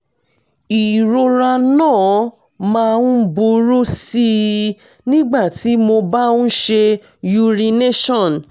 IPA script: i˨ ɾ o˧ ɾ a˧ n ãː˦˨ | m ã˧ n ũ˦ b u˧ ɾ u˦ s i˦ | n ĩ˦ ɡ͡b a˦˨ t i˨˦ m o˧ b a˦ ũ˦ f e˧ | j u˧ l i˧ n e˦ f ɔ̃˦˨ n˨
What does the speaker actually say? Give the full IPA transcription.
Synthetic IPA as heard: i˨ ɾ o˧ ɾ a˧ n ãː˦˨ | m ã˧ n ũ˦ b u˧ ɾ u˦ s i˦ | n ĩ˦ ɡ͡b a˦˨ t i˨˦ m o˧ b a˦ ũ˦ ʃ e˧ | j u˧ ɾ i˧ n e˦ ʃ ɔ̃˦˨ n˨